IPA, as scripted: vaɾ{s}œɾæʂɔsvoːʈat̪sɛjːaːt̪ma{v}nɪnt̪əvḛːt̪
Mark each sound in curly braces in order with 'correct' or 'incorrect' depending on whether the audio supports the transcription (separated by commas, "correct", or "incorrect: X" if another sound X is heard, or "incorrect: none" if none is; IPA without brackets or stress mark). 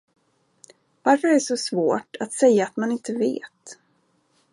incorrect: f, incorrect: none